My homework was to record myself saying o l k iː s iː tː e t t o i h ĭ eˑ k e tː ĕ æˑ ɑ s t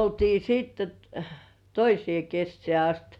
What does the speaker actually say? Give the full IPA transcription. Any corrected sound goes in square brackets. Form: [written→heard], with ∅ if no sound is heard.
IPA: o l [k→t] iː s iː tː e t t o i [h→s] ĭ eˑ k e [tː→sː] ĕ æˑ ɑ s t